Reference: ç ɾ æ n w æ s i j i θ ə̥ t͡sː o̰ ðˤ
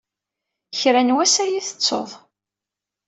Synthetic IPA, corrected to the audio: ç ɾ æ n w æ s æ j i θ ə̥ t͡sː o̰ ðˤ